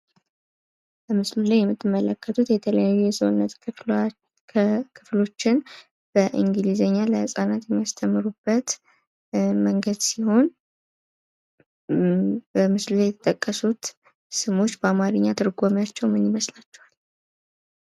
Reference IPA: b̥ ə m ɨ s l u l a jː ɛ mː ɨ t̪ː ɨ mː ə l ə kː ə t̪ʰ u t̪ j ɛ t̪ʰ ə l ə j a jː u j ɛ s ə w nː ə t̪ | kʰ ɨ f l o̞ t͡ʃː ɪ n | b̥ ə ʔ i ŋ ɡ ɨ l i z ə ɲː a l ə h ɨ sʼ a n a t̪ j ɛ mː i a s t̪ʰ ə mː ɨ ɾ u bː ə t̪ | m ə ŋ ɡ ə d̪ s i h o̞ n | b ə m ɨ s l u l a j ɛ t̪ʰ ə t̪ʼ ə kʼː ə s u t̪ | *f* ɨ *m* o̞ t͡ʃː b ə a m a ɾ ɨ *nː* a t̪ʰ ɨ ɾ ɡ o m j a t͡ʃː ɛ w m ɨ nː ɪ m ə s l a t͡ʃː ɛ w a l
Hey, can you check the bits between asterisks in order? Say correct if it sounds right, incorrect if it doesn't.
incorrect, correct, incorrect

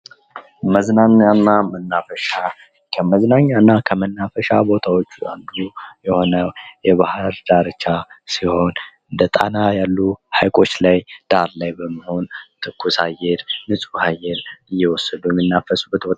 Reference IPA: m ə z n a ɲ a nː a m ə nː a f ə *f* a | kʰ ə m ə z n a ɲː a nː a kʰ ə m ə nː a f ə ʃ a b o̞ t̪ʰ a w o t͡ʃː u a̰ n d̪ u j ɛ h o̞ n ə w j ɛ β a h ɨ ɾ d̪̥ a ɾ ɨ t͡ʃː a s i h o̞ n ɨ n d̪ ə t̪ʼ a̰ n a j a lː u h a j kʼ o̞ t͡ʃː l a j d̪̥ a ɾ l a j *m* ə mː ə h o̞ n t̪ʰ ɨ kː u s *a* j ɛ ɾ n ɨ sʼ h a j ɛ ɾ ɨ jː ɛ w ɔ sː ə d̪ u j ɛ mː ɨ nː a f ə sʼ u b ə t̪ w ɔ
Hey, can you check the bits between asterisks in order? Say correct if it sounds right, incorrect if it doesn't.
incorrect, incorrect, correct

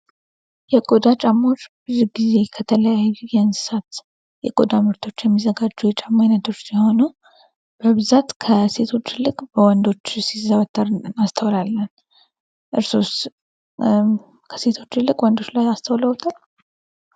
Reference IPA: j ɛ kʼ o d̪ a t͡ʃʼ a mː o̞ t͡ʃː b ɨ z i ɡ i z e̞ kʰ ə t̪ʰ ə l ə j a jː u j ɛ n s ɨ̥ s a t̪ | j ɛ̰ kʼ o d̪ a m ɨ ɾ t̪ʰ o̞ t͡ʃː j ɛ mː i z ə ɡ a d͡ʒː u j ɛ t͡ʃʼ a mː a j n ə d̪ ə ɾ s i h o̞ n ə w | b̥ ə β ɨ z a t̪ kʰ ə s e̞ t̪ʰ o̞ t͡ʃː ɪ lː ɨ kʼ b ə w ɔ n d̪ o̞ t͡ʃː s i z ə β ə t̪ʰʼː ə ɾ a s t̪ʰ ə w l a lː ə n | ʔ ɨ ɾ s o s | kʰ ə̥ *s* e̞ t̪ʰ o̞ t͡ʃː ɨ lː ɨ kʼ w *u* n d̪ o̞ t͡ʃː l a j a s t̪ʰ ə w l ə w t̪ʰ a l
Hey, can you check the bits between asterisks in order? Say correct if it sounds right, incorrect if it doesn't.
correct, incorrect

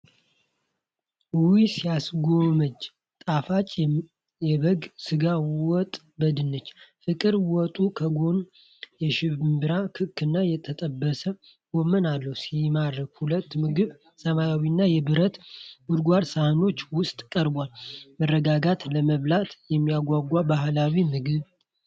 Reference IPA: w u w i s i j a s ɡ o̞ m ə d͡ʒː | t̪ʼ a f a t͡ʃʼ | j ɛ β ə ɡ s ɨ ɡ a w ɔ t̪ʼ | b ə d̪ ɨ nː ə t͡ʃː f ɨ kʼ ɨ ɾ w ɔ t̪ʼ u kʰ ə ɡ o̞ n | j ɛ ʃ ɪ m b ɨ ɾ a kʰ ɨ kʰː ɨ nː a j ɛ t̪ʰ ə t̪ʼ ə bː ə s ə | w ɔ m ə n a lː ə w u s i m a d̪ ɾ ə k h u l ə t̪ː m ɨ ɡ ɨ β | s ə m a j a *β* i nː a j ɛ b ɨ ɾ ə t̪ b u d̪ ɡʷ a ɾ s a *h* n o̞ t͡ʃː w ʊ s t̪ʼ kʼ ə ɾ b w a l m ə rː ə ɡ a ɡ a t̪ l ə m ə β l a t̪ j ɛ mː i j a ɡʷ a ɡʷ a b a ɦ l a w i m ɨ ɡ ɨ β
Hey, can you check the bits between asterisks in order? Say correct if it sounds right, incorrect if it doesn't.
incorrect, correct

